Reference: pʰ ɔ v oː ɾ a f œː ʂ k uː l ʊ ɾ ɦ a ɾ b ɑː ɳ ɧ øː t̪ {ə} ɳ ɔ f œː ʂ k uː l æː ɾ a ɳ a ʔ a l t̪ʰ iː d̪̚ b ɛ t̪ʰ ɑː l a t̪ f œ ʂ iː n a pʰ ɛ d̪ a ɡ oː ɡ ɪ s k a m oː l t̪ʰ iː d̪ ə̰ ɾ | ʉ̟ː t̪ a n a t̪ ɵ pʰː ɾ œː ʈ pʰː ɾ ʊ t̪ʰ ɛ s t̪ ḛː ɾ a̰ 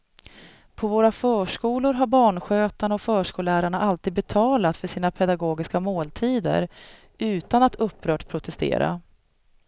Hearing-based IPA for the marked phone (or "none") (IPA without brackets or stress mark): a